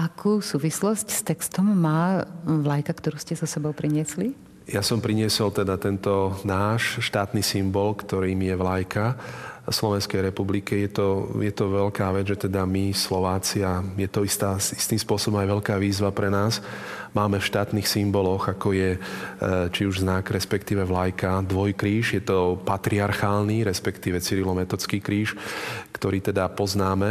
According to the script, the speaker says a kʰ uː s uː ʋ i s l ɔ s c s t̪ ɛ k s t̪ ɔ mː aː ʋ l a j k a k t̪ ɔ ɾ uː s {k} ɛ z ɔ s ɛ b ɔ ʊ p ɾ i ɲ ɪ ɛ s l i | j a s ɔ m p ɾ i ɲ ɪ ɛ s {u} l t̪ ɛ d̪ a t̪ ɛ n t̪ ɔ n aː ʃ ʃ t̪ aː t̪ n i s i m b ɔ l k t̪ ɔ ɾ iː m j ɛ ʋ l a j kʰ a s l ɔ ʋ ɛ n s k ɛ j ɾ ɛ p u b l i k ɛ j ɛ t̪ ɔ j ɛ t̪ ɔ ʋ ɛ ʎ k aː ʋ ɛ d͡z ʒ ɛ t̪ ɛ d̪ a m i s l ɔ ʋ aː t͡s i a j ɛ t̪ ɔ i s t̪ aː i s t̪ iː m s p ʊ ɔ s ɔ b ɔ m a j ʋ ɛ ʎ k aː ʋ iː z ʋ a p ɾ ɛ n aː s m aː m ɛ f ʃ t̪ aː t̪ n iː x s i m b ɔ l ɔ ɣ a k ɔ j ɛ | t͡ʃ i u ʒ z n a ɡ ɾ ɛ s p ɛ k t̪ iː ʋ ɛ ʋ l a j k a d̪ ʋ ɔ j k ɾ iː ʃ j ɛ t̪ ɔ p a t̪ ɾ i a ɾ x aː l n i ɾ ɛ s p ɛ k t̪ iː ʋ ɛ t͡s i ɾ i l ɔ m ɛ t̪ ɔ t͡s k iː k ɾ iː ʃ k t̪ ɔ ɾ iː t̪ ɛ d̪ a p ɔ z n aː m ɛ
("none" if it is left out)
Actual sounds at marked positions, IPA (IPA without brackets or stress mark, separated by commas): c, ɔ